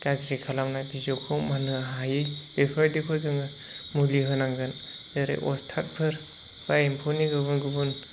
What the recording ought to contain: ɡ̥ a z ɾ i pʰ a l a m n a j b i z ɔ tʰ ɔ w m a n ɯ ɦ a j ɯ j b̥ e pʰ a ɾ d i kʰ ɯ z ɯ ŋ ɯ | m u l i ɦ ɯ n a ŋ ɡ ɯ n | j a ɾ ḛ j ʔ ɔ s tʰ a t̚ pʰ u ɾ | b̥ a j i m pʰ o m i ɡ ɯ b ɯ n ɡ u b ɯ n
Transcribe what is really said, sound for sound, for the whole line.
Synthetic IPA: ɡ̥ a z ɾ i kʰ a l a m n a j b i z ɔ kʰ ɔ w m a n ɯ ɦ a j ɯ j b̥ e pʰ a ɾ d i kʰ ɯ z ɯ ŋ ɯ | m u l i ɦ ɯ n a ŋ ɡ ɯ n | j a ɾ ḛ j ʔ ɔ s tʰ a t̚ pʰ ɯ ɾ | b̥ a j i m pʰ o n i ɡ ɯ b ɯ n ɡ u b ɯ n